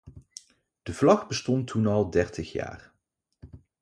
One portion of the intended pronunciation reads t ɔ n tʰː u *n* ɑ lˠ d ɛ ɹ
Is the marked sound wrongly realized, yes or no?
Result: no